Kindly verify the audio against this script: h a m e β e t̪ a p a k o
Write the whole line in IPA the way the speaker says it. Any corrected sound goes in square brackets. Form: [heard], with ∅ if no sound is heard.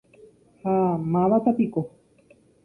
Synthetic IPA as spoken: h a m [a] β [a] t̪ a p [i] k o